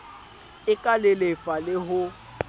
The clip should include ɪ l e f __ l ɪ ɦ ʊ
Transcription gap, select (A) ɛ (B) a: B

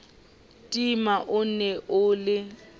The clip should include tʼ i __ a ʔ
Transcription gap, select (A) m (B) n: A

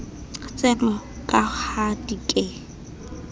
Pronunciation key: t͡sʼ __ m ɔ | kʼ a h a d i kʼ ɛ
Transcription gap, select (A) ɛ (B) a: A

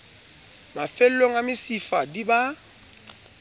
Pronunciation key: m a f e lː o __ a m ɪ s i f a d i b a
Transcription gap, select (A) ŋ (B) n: A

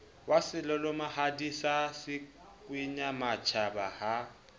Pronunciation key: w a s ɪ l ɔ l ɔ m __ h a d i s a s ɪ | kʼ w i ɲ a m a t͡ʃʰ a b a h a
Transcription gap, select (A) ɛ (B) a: B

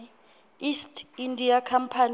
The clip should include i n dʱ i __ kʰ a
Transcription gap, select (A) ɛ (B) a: B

